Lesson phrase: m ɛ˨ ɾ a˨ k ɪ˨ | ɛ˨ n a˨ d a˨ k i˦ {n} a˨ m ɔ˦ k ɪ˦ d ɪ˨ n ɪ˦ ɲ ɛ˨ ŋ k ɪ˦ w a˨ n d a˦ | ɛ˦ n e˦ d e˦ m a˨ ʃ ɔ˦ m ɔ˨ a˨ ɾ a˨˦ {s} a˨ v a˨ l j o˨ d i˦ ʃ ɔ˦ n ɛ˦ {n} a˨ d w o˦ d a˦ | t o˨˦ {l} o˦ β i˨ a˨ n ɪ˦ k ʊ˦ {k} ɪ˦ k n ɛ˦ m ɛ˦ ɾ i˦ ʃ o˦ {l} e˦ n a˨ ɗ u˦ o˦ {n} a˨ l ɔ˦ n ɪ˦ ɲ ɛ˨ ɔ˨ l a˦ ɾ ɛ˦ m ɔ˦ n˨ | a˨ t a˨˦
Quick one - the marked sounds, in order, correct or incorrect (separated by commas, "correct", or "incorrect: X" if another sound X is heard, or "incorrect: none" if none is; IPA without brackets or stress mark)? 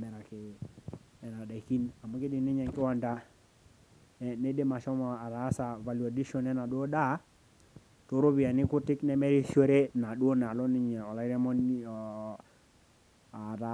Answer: correct, correct, correct, incorrect: ɾ, incorrect: t, incorrect: ɾ, correct